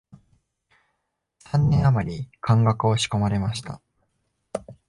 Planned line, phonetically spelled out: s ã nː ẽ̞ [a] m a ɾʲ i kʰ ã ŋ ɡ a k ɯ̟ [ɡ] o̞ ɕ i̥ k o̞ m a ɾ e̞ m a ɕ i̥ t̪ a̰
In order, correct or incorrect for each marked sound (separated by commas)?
correct, incorrect